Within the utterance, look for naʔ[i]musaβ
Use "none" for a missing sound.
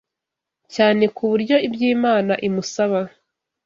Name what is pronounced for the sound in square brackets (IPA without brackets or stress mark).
i